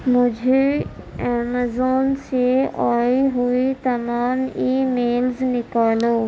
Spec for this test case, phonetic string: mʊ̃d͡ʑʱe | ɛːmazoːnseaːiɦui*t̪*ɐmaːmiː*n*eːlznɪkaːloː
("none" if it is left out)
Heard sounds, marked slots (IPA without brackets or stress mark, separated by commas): t̪, m